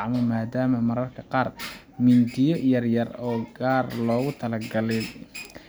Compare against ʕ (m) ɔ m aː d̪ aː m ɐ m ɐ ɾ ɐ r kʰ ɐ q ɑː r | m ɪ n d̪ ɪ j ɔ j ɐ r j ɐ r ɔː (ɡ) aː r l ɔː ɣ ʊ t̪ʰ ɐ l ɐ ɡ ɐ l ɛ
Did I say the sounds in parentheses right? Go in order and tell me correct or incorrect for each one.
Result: correct, correct

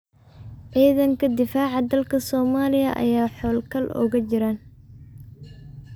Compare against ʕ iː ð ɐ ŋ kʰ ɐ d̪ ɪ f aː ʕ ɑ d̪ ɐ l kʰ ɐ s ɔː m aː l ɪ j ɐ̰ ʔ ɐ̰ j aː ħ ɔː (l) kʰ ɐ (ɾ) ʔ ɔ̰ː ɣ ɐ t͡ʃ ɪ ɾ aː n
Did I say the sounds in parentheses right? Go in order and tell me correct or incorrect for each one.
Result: correct, incorrect: l

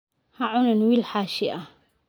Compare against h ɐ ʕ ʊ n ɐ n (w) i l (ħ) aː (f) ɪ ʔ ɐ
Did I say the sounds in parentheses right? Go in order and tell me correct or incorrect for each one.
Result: correct, correct, incorrect: ʃ

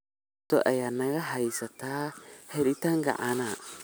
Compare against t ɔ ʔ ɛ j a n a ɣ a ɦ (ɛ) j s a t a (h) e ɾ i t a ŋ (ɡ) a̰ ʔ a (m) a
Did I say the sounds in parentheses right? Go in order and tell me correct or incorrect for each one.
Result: incorrect: a, correct, correct, incorrect: n

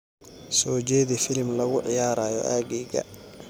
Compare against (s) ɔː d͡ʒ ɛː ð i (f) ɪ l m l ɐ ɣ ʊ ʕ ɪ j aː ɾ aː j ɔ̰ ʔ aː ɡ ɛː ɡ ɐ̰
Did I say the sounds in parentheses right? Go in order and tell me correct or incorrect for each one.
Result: correct, correct

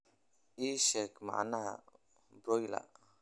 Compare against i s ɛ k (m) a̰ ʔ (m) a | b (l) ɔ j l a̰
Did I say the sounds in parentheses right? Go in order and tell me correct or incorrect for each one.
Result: correct, incorrect: n, incorrect: ɾ

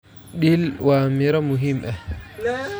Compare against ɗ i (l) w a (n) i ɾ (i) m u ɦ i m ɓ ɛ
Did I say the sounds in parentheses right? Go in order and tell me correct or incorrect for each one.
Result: correct, incorrect: m, incorrect: a

